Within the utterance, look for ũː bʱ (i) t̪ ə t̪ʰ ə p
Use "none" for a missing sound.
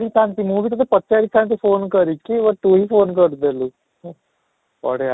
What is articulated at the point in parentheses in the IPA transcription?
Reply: i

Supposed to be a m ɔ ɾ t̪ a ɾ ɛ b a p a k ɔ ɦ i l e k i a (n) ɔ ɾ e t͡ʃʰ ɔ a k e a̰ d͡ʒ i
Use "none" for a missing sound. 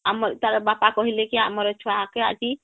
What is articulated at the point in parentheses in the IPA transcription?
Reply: m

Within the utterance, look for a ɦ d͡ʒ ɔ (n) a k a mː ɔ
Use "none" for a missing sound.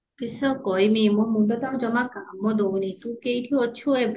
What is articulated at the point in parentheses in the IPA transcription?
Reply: m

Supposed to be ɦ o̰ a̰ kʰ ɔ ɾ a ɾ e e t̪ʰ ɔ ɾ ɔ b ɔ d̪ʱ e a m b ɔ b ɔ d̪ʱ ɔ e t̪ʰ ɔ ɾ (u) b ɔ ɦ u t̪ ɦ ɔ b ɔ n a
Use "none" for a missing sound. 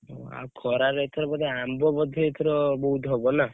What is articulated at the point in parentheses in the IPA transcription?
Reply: ɔ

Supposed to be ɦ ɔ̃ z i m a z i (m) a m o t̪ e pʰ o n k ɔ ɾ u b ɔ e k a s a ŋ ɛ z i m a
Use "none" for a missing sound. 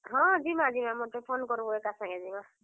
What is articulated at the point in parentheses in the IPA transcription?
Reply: m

